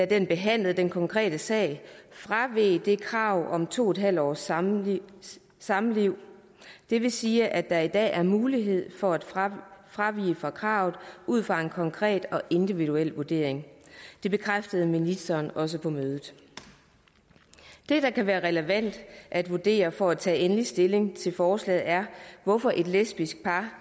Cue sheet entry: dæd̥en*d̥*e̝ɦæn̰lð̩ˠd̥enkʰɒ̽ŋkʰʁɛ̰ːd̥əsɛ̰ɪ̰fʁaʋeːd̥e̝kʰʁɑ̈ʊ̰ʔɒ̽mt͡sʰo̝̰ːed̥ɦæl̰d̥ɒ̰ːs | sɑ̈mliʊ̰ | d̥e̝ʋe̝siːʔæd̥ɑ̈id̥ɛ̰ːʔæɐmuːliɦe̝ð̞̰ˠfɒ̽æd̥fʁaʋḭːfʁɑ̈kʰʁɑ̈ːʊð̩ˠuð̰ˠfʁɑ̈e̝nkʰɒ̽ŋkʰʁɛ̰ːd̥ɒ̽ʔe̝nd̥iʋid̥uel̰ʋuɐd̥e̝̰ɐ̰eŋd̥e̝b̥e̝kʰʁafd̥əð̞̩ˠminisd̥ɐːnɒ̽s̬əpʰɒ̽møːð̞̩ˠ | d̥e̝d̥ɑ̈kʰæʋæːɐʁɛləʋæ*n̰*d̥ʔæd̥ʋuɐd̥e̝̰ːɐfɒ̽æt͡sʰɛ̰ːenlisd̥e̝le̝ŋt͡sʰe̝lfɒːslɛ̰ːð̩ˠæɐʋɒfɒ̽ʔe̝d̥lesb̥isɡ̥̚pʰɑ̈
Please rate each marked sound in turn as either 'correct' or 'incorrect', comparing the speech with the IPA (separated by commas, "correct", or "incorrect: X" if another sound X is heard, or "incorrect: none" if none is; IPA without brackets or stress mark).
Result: incorrect: b̥, correct